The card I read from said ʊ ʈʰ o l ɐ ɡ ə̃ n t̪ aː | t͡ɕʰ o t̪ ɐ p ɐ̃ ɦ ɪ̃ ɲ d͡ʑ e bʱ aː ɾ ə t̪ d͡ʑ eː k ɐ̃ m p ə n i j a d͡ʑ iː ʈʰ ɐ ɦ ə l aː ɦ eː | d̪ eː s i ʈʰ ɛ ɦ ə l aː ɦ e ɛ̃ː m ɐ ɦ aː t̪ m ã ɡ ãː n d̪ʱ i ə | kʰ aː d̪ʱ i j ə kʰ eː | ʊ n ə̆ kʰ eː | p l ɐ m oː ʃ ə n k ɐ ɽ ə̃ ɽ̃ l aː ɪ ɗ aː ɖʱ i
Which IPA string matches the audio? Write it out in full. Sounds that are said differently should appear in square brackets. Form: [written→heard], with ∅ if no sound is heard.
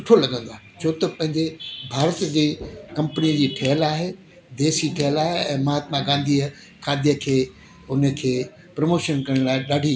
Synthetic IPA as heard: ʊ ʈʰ o l ɐ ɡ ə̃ n [t̪→d̪] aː | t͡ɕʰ o t̪ ɐ p ɐ̃ ɦ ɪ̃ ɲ d͡ʑ e bʱ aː ɾ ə t̪ d͡ʑ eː k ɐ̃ m p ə n i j [a→ə] d͡ʑ iː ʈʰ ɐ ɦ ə l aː ɦ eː | d̪ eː s i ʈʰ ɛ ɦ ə l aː ɦ e ɛ̃ː m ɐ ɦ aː t̪ m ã ɡ ãː n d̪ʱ i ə | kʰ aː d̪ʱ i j ə kʰ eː | ʊ n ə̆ kʰ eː | p [l→ɾ] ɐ m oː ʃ ə n k ɐ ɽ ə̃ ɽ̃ l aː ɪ ɗ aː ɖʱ i